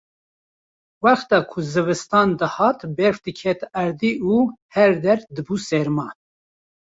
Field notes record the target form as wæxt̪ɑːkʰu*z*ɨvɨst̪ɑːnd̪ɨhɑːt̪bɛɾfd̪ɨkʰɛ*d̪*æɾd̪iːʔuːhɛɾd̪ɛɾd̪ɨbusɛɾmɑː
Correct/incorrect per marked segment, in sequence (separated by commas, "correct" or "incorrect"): correct, incorrect